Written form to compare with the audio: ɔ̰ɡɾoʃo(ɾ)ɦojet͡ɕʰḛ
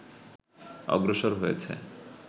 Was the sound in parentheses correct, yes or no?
yes